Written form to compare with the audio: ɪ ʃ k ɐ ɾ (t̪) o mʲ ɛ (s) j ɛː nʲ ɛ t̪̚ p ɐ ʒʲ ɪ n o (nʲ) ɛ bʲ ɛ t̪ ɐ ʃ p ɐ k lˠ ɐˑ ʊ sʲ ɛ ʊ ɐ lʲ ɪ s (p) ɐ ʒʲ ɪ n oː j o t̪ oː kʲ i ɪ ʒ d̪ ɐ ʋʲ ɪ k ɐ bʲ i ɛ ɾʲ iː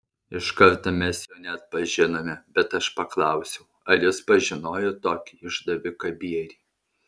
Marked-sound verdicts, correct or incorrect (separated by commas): correct, correct, incorrect, correct